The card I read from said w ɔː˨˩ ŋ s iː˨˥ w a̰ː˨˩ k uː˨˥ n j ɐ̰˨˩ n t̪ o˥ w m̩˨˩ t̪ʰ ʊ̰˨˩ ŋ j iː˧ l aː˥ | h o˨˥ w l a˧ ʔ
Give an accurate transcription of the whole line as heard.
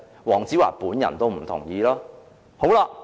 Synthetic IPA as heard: w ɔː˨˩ ŋ t͡s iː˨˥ w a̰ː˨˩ p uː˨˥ n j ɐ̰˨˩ n t̪ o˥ w m̩˨˩ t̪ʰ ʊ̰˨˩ ŋ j iː˧ l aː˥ | h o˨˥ w l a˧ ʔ